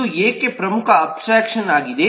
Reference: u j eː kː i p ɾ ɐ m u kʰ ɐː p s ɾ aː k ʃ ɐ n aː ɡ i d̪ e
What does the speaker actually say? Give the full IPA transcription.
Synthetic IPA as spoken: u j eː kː e p ɾ ɐ m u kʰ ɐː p s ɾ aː k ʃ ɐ n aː ɡ i d̪ e